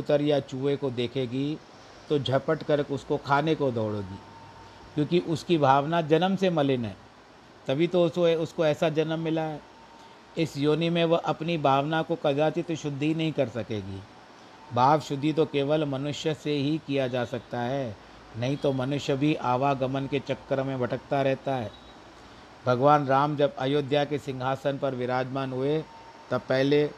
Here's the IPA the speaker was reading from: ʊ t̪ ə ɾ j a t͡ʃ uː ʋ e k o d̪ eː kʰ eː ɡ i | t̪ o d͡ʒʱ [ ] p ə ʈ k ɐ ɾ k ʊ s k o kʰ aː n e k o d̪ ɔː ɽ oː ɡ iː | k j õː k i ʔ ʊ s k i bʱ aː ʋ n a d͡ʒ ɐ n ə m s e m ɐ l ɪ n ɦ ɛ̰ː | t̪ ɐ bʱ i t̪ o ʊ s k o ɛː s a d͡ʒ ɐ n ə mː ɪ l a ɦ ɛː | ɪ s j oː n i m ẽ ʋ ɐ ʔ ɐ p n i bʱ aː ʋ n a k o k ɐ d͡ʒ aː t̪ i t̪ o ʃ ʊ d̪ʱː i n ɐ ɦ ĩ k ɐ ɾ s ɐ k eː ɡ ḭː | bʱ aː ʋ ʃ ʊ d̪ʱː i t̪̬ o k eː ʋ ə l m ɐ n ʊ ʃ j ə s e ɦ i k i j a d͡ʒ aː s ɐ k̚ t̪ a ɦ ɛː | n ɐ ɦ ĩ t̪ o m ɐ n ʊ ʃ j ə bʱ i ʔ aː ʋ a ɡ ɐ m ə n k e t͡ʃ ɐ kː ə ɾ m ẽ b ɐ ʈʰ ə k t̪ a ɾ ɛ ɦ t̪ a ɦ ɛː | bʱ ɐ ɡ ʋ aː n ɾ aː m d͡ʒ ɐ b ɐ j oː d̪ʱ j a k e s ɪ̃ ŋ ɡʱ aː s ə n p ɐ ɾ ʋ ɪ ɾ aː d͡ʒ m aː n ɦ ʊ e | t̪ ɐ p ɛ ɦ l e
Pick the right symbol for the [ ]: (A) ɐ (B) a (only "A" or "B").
A